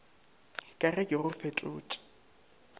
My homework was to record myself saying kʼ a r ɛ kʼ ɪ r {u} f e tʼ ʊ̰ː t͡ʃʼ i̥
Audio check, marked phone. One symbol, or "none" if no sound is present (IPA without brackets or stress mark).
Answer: ʊ